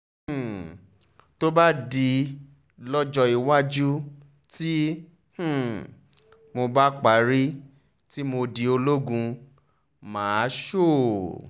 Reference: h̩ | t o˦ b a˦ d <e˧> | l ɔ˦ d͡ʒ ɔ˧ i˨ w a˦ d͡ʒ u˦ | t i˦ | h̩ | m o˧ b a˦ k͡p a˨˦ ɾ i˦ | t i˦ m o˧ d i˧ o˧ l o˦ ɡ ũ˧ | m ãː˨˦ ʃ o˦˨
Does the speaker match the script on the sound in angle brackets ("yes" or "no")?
no